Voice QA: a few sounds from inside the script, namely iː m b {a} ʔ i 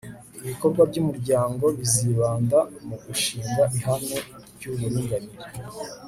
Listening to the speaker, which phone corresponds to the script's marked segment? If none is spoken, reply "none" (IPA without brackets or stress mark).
a